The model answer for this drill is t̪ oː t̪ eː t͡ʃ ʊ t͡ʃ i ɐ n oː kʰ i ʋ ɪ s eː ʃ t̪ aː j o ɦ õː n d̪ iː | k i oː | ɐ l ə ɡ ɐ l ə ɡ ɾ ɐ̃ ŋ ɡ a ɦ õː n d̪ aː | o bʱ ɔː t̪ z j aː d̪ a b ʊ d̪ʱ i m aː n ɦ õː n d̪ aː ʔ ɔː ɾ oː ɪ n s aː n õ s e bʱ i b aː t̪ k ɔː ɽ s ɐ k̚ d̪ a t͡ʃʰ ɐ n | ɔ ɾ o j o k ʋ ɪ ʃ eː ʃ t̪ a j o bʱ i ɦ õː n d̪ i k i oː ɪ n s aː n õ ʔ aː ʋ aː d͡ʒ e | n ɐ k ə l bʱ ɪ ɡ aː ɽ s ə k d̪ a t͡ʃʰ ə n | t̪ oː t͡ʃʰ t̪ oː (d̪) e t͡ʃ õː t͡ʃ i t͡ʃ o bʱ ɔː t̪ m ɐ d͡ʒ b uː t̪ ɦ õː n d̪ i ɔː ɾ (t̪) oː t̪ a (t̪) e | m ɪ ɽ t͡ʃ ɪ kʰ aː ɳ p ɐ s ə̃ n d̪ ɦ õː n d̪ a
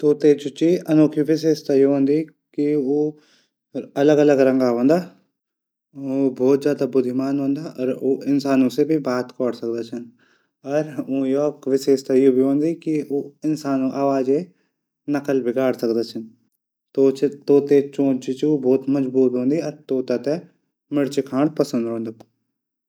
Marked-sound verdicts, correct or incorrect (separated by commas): incorrect, correct, correct